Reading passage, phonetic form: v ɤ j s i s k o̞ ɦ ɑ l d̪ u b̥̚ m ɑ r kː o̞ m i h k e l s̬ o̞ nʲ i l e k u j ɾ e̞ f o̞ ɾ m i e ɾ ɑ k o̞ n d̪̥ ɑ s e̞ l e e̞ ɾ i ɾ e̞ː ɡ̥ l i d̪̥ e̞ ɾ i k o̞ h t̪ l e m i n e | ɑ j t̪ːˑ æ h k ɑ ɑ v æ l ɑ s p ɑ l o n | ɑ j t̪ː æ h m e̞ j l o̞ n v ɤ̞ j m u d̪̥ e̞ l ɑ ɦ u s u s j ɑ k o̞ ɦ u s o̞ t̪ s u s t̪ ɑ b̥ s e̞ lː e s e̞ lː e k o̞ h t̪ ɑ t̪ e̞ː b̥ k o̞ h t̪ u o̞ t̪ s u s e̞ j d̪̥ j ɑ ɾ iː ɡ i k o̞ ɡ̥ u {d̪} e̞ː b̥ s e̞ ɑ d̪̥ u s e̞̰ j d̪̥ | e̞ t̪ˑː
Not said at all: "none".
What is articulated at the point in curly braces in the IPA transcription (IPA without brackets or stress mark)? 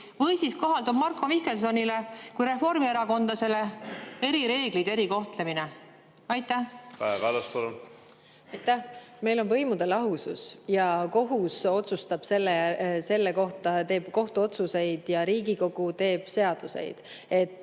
t̪